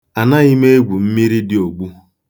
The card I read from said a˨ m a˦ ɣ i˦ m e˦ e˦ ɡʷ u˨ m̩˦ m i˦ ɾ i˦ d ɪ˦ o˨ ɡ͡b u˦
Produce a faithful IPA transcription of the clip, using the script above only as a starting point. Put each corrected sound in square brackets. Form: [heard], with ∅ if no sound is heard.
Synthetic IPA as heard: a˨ [n] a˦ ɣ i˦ m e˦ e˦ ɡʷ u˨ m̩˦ m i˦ ɾ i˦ d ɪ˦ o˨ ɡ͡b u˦